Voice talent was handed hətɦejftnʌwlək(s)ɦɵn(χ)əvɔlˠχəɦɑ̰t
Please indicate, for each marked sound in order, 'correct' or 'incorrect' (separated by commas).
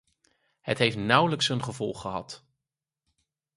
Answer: correct, correct